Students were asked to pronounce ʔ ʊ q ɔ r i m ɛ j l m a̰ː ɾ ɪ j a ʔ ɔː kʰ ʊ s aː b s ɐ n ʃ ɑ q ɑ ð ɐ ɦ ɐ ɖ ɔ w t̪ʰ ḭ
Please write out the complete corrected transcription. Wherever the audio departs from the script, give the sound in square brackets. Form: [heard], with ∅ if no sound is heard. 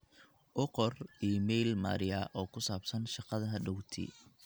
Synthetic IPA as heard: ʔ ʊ q ɔ r i m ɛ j l m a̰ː ɾ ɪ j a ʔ ɔː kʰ ʊ s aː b s ɐ n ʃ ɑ q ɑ ð ɐ ɦ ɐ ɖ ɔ w t̪ʰ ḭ